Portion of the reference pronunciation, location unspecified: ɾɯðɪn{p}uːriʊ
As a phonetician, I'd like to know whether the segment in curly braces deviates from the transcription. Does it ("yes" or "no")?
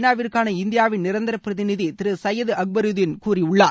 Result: yes